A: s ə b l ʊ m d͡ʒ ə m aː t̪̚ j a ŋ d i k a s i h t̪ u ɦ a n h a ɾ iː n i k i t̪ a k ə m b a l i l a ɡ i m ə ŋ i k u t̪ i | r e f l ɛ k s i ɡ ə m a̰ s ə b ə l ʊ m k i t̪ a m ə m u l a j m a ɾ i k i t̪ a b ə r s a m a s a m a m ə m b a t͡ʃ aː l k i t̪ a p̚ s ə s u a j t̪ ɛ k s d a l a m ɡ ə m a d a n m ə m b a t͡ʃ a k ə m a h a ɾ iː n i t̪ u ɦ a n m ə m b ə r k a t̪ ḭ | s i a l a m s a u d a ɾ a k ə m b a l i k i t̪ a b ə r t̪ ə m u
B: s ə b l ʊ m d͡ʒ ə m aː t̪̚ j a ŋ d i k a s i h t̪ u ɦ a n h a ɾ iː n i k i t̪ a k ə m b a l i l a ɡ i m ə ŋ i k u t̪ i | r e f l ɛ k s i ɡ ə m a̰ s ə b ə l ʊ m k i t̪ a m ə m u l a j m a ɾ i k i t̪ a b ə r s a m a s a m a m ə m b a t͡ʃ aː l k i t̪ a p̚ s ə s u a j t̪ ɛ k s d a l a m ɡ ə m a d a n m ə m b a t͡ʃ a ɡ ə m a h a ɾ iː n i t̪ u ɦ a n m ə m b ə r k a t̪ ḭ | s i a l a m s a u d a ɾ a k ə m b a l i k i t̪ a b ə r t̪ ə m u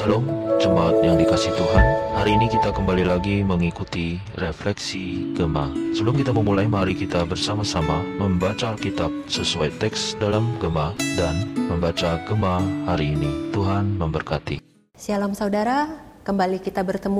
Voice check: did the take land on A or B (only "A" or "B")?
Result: B